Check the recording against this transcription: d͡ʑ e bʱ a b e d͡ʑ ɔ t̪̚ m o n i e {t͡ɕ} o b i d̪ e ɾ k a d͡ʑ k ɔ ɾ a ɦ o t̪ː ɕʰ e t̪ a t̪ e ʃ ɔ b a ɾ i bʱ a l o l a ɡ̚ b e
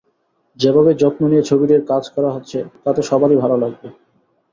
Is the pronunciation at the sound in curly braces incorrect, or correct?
incorrect